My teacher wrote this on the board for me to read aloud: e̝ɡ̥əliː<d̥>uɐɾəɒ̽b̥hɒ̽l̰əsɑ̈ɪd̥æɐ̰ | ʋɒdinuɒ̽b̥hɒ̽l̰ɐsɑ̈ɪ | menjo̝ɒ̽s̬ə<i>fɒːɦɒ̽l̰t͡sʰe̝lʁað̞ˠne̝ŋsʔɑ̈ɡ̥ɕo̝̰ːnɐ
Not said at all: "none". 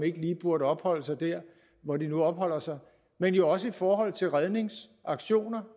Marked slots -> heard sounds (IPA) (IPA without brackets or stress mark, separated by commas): b̥, i